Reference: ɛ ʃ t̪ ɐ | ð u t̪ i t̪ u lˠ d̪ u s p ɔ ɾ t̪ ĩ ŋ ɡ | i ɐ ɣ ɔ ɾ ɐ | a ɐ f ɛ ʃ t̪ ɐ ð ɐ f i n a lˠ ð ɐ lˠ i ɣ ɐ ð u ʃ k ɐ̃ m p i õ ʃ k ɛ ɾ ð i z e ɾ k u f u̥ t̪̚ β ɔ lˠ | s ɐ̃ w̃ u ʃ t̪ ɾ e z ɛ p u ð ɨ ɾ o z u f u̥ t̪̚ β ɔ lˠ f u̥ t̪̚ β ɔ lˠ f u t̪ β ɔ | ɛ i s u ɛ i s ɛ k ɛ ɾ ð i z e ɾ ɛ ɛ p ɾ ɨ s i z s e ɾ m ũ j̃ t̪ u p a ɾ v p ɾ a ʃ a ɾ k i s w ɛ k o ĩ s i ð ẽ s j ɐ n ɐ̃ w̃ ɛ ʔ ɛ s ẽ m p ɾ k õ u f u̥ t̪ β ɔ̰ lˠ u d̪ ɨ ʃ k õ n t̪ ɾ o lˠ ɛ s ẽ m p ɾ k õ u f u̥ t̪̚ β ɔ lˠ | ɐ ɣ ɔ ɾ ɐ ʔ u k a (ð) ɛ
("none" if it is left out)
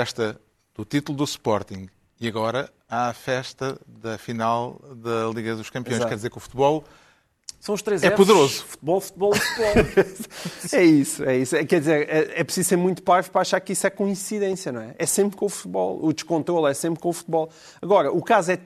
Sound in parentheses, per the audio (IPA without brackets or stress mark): z